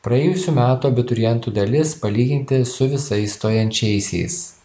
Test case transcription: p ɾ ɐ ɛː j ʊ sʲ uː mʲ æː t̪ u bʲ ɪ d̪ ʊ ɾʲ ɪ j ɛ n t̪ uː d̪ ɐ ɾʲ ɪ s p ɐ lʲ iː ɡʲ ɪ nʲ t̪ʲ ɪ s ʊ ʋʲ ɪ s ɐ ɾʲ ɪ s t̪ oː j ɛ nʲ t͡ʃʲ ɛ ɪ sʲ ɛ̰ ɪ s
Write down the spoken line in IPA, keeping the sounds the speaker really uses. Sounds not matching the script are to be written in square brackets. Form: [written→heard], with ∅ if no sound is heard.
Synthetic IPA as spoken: p ɾ ɐ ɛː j ʊ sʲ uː mʲ æː t̪ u bʲ ɪ [d̪→t̪] ʊ ɾʲ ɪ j ɛ n t̪ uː d̪ ɐ [ɾʲ→lʲ] ɪ s p ɐ lʲ iː ɡʲ ɪ nʲ t̪ʲ ɪ s ʊ ʋʲ ɪ s ɐ [ɾʲ→∅] ɪ s t̪ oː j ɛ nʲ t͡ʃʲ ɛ ɪ sʲ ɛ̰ ɪ s